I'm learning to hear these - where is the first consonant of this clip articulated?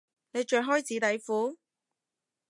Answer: tongue tip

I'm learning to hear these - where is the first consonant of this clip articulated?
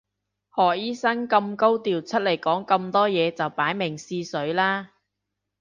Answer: throat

